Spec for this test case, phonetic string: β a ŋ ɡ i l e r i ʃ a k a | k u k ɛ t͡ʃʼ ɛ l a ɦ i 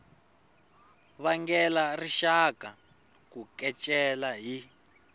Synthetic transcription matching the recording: β a ŋ ɡ ɛ l a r i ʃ a k a | k u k ɛ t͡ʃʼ ɛ l a ɦ i